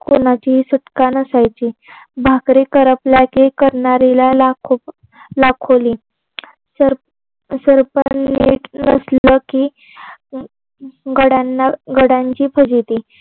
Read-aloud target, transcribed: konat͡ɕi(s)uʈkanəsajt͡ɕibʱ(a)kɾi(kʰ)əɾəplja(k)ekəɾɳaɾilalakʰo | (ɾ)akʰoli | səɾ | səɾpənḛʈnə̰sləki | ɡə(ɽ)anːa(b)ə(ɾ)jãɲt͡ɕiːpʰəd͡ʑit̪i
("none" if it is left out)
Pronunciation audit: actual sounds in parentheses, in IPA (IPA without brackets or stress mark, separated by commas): s, a, k, k, l, ɽ, ɡ, ɽ